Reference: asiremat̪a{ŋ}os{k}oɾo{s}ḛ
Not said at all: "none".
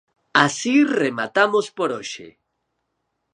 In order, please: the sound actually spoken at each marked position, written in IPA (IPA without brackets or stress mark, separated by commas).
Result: m, p, ʃ